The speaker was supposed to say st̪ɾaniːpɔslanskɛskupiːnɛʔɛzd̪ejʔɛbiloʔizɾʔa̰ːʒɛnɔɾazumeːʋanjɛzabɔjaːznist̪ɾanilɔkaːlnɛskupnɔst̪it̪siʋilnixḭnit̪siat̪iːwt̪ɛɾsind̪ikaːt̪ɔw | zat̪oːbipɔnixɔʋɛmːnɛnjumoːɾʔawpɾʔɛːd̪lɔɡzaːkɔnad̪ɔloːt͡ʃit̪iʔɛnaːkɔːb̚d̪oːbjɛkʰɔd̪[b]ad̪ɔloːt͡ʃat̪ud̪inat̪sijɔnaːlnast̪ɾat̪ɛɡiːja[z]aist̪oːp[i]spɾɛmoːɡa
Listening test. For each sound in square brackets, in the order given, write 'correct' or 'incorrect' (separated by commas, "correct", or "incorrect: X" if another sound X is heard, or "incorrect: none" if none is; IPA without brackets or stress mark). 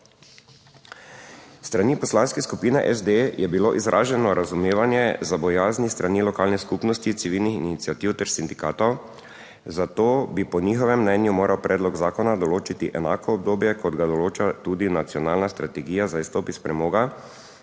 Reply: incorrect: ɡ, correct, correct